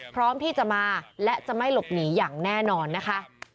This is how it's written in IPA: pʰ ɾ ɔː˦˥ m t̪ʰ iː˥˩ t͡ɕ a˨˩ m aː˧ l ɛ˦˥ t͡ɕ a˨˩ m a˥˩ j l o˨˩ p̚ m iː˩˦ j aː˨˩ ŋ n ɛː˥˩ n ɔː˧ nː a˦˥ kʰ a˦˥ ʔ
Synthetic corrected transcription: pʰ ɾ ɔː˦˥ m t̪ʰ iː˥˩ t͡ɕ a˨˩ m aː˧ l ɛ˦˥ t͡ɕ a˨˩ m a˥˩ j l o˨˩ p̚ n iː˩˦ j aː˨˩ ŋ n ɛː˥˩ n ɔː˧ nː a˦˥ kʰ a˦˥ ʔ